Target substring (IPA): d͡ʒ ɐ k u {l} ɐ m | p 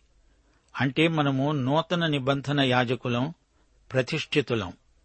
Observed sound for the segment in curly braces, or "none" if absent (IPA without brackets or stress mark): l